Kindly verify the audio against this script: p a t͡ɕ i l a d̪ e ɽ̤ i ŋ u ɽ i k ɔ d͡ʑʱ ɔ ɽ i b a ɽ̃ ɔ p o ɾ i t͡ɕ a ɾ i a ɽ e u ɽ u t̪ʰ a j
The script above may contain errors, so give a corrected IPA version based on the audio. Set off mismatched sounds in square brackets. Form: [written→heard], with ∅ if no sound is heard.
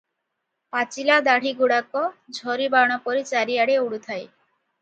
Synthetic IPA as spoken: p a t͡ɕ i l a d̪ [e→a] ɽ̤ i [ŋ→ɡ] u ɽ [i→a] k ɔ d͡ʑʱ ɔ [ɽ→ɾ] i b a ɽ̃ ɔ p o ɾ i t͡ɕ a ɾ i a ɽ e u ɽ u t̪ʰ a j